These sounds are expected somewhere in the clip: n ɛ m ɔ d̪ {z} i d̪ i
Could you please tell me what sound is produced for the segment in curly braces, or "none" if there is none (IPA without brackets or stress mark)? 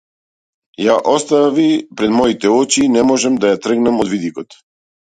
v